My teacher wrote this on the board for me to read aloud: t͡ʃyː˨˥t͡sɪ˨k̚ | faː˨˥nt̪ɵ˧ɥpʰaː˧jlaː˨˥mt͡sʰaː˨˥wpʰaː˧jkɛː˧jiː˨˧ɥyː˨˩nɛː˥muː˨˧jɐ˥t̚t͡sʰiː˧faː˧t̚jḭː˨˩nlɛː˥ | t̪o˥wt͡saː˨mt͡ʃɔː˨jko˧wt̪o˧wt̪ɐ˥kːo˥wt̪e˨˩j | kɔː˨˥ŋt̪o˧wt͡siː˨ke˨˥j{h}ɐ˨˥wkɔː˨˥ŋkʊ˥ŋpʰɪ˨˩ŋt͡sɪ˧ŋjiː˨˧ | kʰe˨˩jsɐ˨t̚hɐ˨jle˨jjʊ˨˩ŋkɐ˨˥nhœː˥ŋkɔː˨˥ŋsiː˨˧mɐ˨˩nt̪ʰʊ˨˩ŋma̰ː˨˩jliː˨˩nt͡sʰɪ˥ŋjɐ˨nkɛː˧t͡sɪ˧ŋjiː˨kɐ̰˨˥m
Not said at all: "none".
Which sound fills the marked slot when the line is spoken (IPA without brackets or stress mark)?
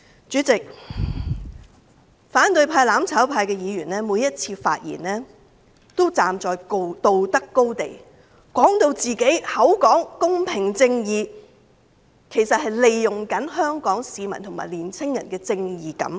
h